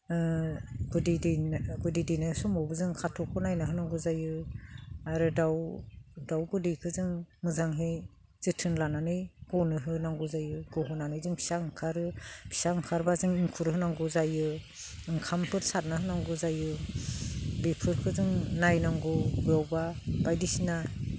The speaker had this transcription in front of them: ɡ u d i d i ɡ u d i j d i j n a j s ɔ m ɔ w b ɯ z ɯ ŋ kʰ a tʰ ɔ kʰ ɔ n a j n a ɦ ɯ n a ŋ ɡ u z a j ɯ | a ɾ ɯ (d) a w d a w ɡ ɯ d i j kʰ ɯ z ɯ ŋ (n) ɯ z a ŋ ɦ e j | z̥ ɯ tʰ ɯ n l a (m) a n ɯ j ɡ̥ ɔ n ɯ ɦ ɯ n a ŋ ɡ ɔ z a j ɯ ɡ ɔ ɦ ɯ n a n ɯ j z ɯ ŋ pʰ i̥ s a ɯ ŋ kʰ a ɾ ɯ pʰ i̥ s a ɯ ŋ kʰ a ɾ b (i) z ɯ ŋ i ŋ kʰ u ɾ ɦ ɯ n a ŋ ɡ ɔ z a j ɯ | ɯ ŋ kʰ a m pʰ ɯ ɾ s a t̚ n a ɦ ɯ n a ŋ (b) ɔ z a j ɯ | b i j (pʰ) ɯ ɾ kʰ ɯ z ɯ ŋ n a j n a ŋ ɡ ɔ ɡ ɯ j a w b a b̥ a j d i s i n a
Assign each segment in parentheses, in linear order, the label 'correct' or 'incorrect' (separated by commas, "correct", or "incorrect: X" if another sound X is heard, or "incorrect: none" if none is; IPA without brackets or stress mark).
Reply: correct, incorrect: m, incorrect: n, incorrect: a, incorrect: ɡ, correct